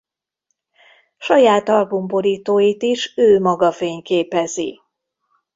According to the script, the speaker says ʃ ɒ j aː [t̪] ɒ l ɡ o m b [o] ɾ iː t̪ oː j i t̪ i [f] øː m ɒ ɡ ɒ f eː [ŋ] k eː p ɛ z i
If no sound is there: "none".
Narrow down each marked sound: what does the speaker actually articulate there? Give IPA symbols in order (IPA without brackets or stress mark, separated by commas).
t̪, o, ʃ, ɲ